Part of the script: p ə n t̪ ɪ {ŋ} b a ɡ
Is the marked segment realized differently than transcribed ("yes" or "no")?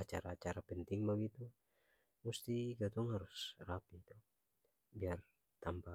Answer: no